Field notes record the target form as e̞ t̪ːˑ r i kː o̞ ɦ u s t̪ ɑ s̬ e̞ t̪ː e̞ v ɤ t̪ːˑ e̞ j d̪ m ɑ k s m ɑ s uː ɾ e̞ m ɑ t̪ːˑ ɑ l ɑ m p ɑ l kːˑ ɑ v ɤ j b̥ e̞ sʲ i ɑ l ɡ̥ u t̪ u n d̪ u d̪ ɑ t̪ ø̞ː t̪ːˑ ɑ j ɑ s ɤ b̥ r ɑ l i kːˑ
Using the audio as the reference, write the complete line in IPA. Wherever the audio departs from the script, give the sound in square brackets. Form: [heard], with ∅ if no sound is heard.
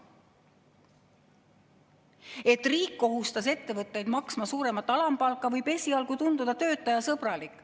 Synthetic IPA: e̞ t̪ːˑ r [iː] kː o̞ ɦ u s t̪ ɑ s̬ e̞ t̪ː e̞ v ɤ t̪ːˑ e̞ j d̪ m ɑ k s m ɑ s uː ɾ e̞ m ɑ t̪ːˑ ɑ l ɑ m p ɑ l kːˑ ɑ v ɤ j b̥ e̞ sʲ i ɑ l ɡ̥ u t̪ u n d̪ u d̪ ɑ t̪ ø̞ː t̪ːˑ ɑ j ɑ s ɤ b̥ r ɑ l i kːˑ